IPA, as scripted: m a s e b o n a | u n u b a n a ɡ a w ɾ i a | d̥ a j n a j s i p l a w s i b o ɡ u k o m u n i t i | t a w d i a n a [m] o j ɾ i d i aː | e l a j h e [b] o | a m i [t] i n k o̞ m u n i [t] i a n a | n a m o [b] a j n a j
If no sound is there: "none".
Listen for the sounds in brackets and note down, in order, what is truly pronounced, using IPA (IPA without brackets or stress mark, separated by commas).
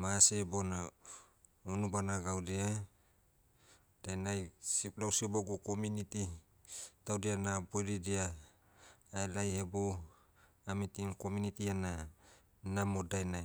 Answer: b, b, t, t, d